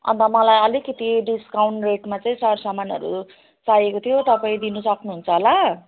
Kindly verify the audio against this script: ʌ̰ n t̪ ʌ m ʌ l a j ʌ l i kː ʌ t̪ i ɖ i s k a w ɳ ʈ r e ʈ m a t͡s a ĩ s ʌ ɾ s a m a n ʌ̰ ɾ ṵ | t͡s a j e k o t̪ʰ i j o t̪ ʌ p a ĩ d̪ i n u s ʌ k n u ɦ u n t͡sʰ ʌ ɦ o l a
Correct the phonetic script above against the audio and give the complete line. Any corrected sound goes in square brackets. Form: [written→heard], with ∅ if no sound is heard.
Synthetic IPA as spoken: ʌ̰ n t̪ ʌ m ʌ l a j ʌ l i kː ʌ t̪ i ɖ i s k a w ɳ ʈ r e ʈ m a t͡s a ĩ s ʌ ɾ s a m a n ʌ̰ ɾ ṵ | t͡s a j e k o t̪ʰ i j o t̪ ʌ p a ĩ d̪ i n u s ʌ k n u ɦ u n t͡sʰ ʌ ɦ o l a